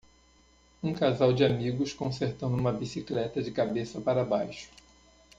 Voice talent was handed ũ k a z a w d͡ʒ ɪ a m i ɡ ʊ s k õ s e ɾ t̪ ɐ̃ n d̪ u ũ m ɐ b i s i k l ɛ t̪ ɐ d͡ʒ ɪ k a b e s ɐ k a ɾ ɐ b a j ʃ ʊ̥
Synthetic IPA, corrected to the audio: ũ k a z a w d͡ʒ ɪ a m i ɡ ʊ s k õ s e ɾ t̪ ɐ̃ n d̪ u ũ m ɐ b i s i k l ɛ t̪ ɐ d͡ʒ ɪ k a b e s ɐ p a ɾ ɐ b a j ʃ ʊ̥

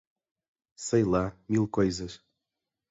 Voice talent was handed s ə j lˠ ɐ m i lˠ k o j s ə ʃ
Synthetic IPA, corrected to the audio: s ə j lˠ a m i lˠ k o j z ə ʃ

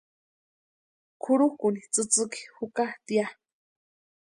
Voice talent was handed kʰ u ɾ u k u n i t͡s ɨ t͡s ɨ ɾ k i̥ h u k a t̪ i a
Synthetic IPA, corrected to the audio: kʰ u ɾ u k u n i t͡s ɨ t͡s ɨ k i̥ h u k a t̪ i a

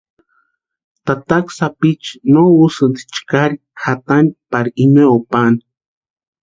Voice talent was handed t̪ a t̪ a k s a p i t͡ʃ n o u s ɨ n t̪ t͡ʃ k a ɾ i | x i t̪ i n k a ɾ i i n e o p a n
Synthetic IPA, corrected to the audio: t̪ a t̪ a k s a p i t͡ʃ n o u s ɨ n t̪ t͡ʃ k a ɾ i | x a t̪ a n p a ɾ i i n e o p a n

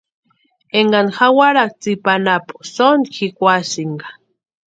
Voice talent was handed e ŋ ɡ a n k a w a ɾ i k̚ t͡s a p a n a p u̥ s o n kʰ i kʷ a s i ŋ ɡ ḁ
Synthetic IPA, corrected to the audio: e ŋ ɡ a n x a w a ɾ a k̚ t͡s i p a n a p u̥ s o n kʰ i kʷ a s i ŋ ɡ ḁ

